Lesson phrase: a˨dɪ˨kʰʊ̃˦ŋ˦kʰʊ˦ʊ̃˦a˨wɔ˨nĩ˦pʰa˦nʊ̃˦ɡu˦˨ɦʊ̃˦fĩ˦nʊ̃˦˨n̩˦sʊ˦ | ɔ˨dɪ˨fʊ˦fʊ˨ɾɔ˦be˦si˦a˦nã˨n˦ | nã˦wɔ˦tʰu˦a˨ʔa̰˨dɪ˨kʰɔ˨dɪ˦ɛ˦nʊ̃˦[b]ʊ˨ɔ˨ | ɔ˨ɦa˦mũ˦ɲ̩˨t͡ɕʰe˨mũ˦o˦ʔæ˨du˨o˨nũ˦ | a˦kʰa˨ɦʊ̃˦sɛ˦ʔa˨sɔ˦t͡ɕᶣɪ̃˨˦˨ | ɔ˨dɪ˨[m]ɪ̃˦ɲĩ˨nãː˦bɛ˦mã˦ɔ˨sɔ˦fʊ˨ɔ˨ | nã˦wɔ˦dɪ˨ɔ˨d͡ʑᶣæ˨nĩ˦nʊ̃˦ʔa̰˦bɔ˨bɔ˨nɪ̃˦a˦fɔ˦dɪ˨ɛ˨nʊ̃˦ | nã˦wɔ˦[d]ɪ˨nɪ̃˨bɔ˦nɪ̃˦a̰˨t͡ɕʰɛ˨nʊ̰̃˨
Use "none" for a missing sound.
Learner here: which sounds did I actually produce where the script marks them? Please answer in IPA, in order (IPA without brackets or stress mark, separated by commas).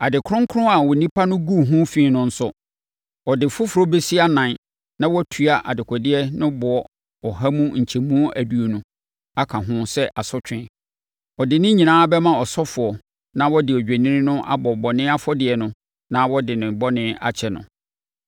b, n, d